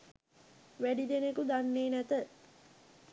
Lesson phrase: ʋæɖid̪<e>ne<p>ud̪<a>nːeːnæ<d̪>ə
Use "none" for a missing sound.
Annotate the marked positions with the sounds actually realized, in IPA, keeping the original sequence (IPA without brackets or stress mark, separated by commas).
e, k, a, t̪